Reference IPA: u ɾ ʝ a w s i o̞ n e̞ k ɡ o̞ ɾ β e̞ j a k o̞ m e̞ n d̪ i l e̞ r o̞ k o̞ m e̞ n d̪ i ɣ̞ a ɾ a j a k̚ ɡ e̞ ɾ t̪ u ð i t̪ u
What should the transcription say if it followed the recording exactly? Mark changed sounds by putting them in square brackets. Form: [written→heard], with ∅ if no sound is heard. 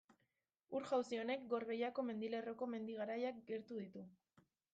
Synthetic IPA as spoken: u ɾ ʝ a w s i o̞ n e̞ k ɡ o̞ ɾ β e̞ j a k o̞ m e̞ n d̪ i l e̞ r o̞ k o̞ m e̞ n d̪ i ɣ̞ a ɾ a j a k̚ ɡ e̞ ɾ t̪ u ð i t̪ u

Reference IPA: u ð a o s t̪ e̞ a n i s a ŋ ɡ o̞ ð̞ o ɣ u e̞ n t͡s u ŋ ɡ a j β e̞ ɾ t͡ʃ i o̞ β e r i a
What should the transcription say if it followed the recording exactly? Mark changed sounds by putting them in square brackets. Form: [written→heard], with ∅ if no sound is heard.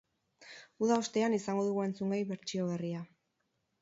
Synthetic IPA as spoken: u ð a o s t̪ e̞ a n i s a ŋ ɡ o̞ ð̞ [o→u] ɣ u e̞ n t͡s u ŋ ɡ a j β e̞ ɾ t͡ʃ i o̞ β e r i a

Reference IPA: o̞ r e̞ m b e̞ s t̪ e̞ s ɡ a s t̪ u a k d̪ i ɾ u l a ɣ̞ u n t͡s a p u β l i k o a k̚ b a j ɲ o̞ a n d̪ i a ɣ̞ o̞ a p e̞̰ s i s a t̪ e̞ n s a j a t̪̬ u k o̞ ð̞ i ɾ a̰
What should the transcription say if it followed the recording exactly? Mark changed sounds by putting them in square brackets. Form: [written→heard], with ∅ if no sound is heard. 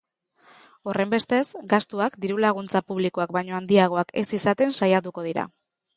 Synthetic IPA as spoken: o̞ r e̞ m b e̞ s t̪ e̞ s ɡ a s t̪ u a k d̪ i ɾ u l a ɣ̞ u n t͡s a p u β l i k o a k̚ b a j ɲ o̞ a n d̪ i a ɣ̞ o̞ a [p→k] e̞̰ s i s a t̪ e̞ n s a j a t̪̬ u k o̞ ð̞ i ɾ a̰

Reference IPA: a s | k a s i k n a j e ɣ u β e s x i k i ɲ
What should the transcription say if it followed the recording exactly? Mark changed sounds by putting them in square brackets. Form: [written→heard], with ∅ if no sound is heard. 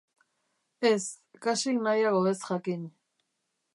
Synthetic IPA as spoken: [a→e] s | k a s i k n a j [e→a] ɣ [u→o] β e s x [i→a] k i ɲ

